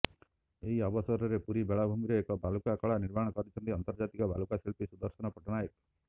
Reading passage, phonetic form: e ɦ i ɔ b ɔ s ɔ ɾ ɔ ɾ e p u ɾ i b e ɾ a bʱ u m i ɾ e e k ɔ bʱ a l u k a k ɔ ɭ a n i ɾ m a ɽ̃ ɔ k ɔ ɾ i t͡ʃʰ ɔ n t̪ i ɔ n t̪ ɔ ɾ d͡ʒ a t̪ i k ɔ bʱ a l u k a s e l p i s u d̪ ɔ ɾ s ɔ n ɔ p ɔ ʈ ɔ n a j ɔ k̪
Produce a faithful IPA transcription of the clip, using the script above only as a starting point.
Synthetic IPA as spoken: e ɦ i ɔ b ɔ s ɔ ɾ ɔ ɾ e p u ɾ i b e ɭ a bʱ u m i ɾ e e k ɔ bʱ a l u k a k ɔ ɭ a n i ɾ m a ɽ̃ ɔ k ɔ ɾ i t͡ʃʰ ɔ n t̪ i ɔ n t̪ ɔ ɾ d͡ʒ a t̪ i k ɔ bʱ a l u k a s e l p i s u d̪ ɔ ɾ s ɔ n ɔ p ɔ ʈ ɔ n a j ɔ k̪